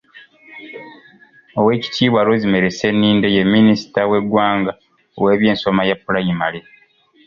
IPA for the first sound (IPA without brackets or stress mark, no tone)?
o